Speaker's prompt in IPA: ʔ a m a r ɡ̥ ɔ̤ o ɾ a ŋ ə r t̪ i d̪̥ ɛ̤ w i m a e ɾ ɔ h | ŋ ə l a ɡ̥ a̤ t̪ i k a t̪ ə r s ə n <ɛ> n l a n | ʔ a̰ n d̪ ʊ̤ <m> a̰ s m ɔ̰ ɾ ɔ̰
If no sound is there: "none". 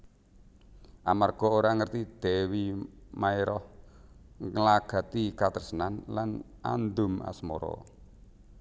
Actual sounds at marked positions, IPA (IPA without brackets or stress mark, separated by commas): a, m